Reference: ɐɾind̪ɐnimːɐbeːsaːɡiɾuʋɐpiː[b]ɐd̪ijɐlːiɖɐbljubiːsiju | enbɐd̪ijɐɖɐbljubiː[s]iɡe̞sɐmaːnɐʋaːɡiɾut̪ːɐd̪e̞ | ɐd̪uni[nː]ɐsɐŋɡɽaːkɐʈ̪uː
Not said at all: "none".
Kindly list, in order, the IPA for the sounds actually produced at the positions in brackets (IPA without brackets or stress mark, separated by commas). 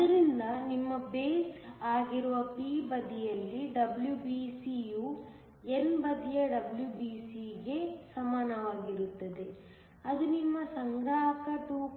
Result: b, s, mː